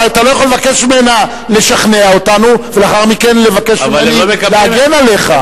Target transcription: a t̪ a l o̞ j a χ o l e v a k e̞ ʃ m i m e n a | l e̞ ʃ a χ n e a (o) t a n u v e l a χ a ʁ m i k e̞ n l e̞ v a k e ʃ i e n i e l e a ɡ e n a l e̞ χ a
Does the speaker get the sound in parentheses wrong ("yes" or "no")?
no